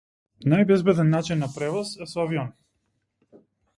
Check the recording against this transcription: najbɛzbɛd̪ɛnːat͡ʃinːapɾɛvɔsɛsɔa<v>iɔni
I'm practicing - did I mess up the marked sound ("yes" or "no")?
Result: no